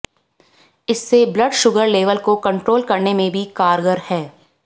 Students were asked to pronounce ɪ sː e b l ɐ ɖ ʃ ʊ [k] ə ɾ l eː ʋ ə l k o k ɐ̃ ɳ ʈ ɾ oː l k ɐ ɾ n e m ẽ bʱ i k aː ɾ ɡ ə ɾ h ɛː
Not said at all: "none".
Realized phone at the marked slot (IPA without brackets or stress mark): ɡ